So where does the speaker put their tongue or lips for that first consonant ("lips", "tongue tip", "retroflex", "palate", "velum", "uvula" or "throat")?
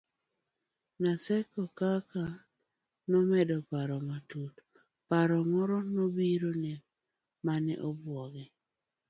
tongue tip